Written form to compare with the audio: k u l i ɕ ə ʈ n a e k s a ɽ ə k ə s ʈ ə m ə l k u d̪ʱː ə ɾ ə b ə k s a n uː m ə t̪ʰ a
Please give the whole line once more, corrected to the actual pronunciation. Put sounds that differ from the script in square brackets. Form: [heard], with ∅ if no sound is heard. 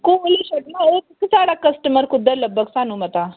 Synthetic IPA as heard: k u l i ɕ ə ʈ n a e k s a ɽ [a] k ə s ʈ ə m ə [ɾ] k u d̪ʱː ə [l] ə b ə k s a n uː m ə [t̪] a